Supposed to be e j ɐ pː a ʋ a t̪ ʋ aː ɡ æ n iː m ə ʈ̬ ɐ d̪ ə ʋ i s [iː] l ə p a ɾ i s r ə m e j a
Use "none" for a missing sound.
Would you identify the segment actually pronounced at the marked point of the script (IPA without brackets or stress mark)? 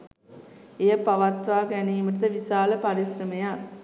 aː